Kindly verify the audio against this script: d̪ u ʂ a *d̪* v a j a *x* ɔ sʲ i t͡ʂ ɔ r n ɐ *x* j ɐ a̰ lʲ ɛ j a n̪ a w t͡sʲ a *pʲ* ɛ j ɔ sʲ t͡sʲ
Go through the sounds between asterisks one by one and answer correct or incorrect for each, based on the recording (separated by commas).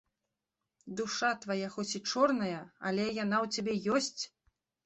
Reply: incorrect, correct, incorrect, incorrect